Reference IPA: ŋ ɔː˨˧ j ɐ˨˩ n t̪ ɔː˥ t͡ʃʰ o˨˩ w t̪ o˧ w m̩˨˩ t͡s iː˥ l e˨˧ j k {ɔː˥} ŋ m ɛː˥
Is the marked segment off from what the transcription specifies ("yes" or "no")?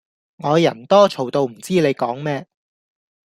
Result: yes